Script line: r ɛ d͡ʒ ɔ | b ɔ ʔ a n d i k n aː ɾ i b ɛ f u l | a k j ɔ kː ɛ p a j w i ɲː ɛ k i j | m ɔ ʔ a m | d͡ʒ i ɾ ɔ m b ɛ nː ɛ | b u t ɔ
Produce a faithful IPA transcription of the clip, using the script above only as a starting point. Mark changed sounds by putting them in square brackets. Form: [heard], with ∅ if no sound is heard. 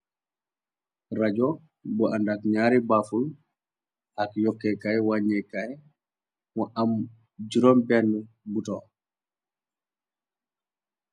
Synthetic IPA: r [a] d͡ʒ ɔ | b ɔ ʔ a n d [a] k [ɲ] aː ɾ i b [a] f u l | a k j ɔ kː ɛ [k] a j w [a] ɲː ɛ k [a] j | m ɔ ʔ a m | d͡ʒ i ɾ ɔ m b ɛ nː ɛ | b u t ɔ